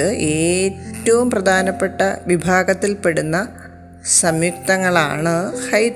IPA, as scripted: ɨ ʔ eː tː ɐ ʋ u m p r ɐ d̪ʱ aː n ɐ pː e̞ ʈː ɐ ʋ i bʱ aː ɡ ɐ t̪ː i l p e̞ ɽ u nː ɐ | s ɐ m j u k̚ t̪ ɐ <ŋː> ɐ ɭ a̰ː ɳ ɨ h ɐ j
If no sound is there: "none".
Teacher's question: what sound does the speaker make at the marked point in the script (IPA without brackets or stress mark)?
ŋː